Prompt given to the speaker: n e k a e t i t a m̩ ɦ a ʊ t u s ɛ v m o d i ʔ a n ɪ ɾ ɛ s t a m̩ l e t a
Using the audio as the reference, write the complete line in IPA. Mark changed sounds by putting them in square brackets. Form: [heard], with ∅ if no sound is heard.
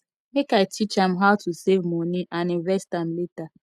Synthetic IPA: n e k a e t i [t͡ʃ] a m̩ ɦ a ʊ t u s [e] v m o [n] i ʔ a n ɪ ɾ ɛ s t a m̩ l e t a